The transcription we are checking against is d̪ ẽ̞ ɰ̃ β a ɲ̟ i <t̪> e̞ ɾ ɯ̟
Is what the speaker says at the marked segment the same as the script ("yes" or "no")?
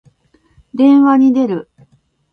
no